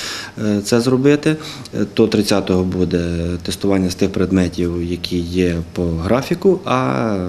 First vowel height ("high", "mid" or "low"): mid